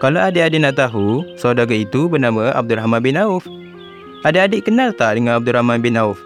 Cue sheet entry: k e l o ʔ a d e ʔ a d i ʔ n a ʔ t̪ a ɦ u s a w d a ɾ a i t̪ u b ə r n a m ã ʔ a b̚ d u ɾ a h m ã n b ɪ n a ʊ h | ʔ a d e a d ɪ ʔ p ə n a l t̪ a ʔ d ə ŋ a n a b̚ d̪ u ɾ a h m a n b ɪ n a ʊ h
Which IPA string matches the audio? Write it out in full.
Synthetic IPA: k a l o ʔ a d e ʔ a d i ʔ n a ʔ t̪ a ɦ u s a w d a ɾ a i t̪ u b ə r n a m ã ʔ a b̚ d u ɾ a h m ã n b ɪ n a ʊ f | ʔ a d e a d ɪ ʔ k ə n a l t̪ a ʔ d ə ŋ a n a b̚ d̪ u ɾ a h m a n b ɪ n a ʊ f